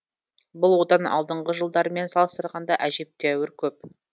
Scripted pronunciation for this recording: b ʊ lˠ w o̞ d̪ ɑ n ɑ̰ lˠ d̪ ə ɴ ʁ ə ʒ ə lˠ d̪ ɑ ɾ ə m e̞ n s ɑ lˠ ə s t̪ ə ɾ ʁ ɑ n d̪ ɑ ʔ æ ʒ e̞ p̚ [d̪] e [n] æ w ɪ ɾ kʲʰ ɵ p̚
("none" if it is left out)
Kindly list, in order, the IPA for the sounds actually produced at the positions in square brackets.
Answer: t̪, none

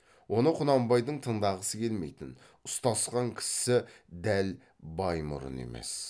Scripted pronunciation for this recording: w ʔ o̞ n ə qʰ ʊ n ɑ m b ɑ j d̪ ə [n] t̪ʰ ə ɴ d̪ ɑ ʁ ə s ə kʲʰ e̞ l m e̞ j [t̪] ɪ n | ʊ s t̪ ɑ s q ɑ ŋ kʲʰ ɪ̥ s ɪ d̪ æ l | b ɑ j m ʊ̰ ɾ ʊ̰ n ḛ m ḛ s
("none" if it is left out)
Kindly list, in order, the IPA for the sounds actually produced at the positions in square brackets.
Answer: ɴ, t̪

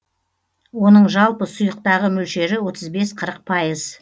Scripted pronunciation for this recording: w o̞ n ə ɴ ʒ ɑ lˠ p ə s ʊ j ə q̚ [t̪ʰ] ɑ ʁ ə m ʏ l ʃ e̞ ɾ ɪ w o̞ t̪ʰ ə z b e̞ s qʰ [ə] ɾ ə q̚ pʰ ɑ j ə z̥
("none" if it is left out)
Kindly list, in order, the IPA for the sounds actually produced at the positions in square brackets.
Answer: t̪, ə

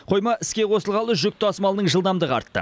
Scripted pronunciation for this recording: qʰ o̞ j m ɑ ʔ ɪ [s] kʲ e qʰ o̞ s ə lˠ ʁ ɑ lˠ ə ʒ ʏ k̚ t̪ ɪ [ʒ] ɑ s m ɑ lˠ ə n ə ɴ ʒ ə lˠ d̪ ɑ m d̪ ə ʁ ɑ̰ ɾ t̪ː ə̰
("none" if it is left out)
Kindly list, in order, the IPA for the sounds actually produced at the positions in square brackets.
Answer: s, none

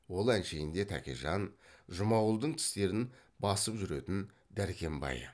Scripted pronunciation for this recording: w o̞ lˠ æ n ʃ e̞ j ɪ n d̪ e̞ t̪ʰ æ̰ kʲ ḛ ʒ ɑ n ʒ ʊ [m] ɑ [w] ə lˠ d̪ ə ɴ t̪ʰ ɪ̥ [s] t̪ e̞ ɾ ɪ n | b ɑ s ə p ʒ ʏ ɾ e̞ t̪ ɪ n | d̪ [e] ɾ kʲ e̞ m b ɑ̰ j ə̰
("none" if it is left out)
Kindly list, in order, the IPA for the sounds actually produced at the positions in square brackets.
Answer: m, w, s, æ

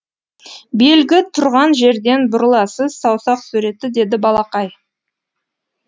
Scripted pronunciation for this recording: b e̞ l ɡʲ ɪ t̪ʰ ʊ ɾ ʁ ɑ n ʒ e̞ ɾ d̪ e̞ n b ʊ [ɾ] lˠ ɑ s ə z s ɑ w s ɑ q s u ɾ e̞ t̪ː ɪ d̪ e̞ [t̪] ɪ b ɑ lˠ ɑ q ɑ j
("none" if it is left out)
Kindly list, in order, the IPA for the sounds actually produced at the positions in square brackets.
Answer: ɾ, d̪

